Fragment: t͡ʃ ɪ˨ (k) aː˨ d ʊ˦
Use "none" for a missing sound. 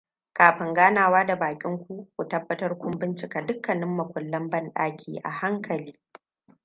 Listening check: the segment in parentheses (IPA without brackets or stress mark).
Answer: k